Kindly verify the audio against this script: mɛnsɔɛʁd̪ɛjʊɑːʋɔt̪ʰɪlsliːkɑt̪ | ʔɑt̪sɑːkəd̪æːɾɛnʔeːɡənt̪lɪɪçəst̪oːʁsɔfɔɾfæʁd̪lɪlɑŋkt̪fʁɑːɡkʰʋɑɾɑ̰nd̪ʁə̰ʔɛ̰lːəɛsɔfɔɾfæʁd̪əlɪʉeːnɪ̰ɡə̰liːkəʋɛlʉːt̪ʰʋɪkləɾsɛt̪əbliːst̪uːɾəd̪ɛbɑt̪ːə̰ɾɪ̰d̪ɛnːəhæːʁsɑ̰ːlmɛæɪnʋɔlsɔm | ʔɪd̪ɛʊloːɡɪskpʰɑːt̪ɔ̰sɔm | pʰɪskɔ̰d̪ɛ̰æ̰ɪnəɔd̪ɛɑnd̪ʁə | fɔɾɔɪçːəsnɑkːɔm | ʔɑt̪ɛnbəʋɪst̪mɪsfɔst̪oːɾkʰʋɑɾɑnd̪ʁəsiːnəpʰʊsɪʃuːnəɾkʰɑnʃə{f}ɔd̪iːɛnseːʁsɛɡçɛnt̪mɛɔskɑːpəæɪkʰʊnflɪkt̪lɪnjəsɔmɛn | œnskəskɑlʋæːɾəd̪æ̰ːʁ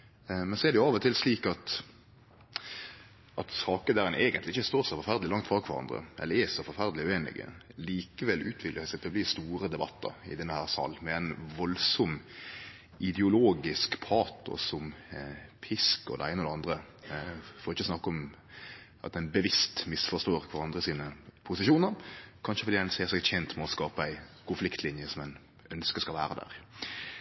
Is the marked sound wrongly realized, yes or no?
no